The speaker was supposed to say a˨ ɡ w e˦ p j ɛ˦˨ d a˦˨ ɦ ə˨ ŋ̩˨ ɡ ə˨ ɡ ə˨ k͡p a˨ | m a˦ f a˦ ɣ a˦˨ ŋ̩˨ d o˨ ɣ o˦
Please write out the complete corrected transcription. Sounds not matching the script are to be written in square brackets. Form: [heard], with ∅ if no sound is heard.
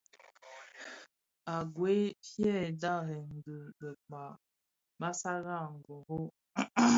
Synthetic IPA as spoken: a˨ ɡ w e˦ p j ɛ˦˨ d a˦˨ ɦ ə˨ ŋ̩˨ ɡ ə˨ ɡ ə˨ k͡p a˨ | m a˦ [s] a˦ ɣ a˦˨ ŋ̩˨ [ɡ] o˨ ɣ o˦